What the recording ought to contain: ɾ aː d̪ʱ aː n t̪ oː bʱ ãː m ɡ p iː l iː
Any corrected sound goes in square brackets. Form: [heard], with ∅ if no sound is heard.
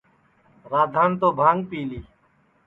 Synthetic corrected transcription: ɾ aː d̪ʱ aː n t̪ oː bʱ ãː [ŋ] ɡ p iː l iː